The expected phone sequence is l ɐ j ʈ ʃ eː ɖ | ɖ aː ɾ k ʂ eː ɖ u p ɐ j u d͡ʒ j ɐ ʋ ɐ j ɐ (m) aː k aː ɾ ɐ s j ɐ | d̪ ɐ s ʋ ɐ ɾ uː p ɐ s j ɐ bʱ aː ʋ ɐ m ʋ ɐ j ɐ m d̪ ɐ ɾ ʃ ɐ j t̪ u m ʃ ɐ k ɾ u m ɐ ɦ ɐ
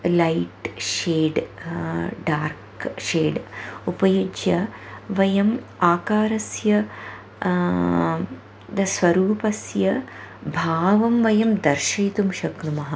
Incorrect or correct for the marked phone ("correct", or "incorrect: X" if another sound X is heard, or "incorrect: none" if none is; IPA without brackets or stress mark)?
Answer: correct